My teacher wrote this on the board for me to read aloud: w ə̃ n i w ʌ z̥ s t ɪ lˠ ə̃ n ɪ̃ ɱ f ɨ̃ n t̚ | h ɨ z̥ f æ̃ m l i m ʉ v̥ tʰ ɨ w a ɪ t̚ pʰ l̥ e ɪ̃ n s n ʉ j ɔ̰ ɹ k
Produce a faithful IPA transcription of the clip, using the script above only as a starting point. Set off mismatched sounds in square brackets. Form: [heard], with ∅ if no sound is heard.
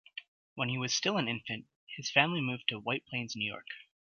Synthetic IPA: w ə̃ n i w ʌ z̥ s t ɪ lˠ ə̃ n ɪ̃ ɱ f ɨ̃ n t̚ | h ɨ z̥ f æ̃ m l i m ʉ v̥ tʰ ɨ w a ɪ t̚ pʰ l̥ [ẽ] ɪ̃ n [z] n ʉ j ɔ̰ ɹ k

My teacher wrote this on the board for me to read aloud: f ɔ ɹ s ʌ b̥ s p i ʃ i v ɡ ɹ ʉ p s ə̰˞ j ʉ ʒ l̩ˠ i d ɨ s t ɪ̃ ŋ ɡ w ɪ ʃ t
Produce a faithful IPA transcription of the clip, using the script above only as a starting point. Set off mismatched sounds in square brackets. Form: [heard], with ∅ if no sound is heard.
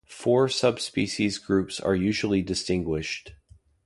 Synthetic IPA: f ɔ ɹ s ʌ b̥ s p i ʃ i [z] ɡ ɹ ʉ p s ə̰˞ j ʉ ʒ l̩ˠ i d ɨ s t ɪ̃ ŋ ɡ w ɪ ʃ t

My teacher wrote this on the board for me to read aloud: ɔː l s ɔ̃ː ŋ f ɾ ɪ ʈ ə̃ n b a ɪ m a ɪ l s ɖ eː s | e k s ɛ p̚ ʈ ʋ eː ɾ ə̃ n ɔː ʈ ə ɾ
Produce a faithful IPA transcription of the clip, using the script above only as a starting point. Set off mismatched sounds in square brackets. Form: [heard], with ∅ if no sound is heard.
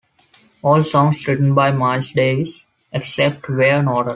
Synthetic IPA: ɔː l s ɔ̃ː ŋ [s] ɾ ɪ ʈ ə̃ n b a ɪ m a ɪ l s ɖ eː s | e k s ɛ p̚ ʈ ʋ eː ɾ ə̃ n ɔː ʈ ə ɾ

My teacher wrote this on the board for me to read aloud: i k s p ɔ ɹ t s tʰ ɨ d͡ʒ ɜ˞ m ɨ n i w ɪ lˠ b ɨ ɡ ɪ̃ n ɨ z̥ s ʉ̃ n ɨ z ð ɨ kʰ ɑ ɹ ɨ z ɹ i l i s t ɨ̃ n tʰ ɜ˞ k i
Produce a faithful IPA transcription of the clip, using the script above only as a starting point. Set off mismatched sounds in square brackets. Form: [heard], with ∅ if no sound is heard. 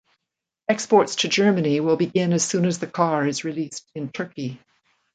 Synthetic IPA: [ɛ] k s p ɔ ɹ t s tʰ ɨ d͡ʒ ɜ˞ m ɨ n i w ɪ lˠ b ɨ ɡ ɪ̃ n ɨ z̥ s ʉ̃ n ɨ z ð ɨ kʰ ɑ ɹ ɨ z ɹ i l i s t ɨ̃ n tʰ ɜ˞ k i

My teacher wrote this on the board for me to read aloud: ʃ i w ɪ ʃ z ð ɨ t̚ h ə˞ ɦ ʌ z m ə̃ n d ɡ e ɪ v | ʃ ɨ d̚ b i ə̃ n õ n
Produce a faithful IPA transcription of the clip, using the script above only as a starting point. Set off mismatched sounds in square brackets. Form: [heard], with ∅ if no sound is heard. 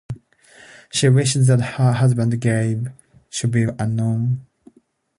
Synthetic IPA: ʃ i w ɪ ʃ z ð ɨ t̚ h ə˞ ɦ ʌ z [b] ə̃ n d ɡ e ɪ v | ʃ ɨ d̚ b i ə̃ n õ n

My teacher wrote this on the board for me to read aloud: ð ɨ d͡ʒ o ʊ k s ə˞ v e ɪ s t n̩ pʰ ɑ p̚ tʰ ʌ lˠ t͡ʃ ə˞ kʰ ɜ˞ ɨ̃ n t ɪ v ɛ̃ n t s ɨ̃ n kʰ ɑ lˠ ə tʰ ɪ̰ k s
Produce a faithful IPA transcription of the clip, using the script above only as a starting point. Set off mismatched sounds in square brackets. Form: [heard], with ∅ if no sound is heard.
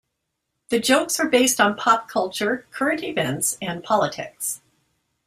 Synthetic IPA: ð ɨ d͡ʒ o ʊ k s ə˞ [b] e ɪ s t n̩ pʰ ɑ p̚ [kʰ] ʌ lˠ t͡ʃ ə˞ kʰ ɜ˞ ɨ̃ n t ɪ v ɛ̃ n t s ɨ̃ n [pʰ] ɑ lˠ ə tʰ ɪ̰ k s

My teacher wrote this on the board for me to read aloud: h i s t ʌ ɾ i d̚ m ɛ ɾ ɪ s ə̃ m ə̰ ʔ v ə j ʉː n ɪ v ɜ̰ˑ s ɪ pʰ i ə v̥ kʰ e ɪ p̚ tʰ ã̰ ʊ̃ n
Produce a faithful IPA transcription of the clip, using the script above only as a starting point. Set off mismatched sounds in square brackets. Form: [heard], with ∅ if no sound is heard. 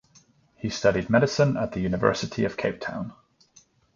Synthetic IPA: h i s t ʌ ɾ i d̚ m ɛ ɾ ɪ s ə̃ [n] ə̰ ʔ [ð] ə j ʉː n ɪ v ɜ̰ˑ s ɪ [tʰ] i ə v̥ kʰ e ɪ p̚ tʰ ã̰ ʊ̃ n

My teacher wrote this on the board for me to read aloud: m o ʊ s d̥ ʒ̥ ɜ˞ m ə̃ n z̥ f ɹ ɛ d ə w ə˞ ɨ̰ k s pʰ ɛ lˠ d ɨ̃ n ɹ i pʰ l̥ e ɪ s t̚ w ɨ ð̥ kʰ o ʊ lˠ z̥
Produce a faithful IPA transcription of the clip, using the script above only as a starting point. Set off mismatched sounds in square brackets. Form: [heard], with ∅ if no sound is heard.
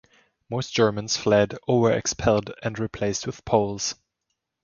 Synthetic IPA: m o ʊ s d̥ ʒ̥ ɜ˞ m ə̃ n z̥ f [l] ɛ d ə w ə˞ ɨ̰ k s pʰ ɛ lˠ d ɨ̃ n ɹ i pʰ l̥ e ɪ s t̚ w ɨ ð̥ [pʰ] o ʊ lˠ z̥

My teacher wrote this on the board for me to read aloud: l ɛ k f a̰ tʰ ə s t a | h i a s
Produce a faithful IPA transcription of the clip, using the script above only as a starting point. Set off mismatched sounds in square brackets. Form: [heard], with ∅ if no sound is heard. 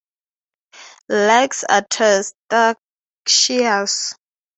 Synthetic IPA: l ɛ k [s] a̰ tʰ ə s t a | [ʃ] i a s

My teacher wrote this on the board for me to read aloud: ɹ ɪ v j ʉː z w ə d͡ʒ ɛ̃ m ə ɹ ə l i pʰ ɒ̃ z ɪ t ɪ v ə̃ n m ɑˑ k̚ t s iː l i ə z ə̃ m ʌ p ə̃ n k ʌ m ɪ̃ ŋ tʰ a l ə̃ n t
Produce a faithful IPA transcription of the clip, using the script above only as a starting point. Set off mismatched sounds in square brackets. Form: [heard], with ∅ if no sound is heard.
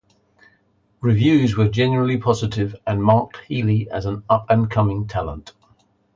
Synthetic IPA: ɹ ɪ v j ʉː z w ə d͡ʒ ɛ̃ [n] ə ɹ ə l i pʰ [ɒ] z ɪ t ɪ v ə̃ n m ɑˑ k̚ t [h] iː l i ə z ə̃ [n] ʌ p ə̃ n [kʰ] ʌ m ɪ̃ ŋ tʰ a l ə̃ n t

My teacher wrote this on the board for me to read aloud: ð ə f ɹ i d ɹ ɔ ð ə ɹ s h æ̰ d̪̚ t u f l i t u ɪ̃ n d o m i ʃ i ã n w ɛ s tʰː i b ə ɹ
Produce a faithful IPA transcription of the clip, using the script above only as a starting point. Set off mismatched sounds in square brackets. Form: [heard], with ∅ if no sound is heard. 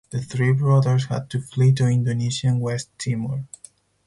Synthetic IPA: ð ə [θ] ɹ i [b] ɹ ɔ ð ə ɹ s h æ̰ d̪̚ t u f l i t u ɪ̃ n d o [n] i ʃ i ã n w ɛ s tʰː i [m] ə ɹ

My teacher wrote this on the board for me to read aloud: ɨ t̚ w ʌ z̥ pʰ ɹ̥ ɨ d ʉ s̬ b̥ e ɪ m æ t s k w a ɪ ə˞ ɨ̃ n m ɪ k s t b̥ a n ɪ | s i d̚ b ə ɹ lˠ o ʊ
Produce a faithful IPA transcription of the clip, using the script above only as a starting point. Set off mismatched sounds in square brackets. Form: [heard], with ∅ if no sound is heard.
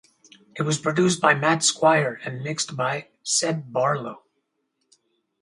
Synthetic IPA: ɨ t̚ w ʌ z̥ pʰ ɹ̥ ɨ d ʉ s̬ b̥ [a] ɪ m æ t s k w a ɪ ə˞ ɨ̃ n m ɪ k s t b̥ a [∅] ɪ | s [ɛ] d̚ b [ɑ] ɹ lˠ o ʊ

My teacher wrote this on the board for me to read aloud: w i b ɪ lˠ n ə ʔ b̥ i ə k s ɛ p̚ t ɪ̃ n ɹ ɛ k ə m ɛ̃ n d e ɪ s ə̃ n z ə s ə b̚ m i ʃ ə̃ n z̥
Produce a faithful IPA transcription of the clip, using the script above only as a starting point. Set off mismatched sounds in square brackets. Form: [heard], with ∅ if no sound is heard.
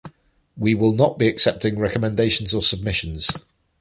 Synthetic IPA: w i [w] ɪ lˠ n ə ʔ b̥ i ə k s ɛ p̚ t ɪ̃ [ŋ] ɹ ɛ k ə m ɛ̃ n d e ɪ [ʃ] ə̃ n z ə s ə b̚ m [ɪ] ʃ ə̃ n z̥

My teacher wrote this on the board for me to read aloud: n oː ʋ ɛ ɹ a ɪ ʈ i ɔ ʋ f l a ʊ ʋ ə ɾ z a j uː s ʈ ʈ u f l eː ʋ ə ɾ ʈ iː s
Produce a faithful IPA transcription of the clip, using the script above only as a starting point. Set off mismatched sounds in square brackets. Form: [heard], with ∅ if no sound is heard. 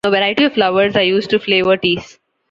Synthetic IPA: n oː ʋ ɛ [ɾ] a ɪ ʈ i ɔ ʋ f l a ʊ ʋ ə ɾ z a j uː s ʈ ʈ u f l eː ʋ ə ɾ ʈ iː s

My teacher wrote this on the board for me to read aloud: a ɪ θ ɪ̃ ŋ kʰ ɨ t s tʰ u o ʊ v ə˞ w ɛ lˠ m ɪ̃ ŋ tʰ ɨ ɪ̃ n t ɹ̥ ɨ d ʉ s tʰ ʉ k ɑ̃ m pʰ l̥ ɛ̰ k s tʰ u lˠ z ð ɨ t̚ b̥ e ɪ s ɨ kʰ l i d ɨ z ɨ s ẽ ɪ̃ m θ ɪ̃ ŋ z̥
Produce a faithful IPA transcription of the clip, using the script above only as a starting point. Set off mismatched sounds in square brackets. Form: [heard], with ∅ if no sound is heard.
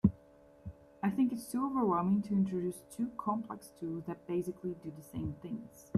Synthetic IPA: a ɪ θ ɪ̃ ŋ [k] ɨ t s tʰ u o ʊ v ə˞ w ɛ lˠ m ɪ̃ ŋ tʰ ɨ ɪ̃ n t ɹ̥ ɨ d ʉ s tʰ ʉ [kʰ] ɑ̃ m pʰ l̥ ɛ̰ k s tʰ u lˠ z ð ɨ t̚ b̥ e ɪ s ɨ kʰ l i d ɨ [ð] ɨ s ẽ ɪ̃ m θ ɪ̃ ŋ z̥

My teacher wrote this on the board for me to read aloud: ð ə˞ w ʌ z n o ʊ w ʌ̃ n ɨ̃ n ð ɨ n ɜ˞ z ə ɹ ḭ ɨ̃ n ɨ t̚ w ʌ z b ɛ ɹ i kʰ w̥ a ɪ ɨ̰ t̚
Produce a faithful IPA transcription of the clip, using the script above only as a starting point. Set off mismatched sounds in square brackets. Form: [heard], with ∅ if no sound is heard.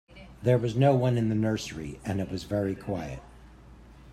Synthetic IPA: ð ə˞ w ʌ z n o ʊ w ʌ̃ n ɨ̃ n ð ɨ n ɜ˞ [s] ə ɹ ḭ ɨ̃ n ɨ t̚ w ʌ z [v] ɛ ɹ i kʰ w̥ a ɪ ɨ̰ t̚

